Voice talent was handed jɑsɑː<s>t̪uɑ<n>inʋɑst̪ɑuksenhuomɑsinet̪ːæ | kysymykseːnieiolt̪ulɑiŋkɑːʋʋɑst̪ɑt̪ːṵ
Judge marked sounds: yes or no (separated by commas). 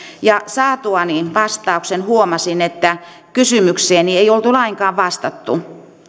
no, yes